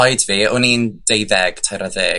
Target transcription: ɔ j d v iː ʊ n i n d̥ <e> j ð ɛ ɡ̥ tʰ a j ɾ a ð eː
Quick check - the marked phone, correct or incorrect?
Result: correct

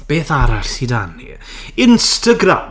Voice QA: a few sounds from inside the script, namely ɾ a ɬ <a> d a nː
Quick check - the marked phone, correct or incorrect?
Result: incorrect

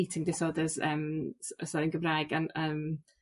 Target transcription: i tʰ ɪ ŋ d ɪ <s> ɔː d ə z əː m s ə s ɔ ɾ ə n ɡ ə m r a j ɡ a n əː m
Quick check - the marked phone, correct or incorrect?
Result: correct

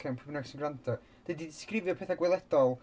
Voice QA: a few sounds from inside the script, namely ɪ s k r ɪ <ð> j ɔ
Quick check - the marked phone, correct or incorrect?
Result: incorrect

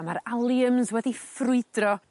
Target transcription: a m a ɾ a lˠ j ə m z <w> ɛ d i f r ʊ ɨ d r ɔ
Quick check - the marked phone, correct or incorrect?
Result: correct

